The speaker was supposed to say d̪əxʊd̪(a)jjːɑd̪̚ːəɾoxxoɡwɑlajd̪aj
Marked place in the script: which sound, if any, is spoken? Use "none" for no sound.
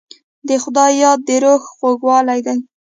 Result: ɑ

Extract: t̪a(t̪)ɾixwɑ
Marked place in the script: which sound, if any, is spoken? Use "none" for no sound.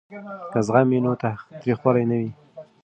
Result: t̪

